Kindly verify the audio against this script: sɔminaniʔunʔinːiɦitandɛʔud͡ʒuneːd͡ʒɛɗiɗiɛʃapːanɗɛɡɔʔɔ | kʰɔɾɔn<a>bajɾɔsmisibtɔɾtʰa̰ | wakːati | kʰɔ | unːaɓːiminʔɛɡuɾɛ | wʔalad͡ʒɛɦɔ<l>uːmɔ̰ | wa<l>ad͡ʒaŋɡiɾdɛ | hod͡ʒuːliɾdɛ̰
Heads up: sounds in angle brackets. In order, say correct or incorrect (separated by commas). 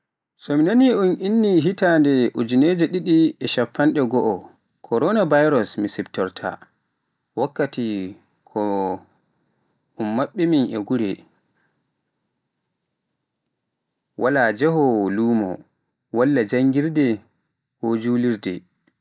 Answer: correct, correct, incorrect